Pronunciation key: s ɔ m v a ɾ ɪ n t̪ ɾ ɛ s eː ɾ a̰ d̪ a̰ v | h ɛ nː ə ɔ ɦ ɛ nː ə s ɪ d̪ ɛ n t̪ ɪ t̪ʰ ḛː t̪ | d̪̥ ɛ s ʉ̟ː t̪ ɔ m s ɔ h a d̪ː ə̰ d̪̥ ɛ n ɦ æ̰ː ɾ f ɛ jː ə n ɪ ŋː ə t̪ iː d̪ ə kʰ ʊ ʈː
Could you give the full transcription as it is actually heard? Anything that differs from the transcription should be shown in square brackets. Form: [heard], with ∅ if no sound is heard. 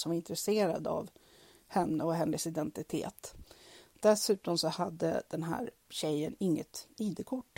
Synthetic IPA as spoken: s ɔ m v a ɾ ɪ n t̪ ɾ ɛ s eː ɾ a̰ d̪ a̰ v | h ɛ nː ə ɔ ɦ ɛ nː ə s ɪ d̪ ɛ n t̪ ɪ t̪ʰ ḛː t̪ | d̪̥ ɛ s ʉ̟ː t̪ ɔ m s ɔ h a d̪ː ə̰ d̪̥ ɛ n ɦ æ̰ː ɾ [ɕ] ɛ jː ə n ɪ ŋː ə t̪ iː d̪ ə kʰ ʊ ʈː